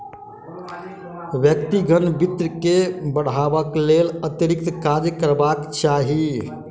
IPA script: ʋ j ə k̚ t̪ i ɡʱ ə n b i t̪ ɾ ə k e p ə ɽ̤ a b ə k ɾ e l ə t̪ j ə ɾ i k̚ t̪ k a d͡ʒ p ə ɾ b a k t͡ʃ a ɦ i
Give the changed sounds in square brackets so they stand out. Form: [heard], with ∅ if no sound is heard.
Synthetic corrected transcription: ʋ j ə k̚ t̪ i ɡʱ ə n b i t̪ ɾ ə k e [b] ə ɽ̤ a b ə k [l] e l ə t̪ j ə ɾ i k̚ t̪ k a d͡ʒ [k] ə ɾ b a k t͡ʃ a ɦ i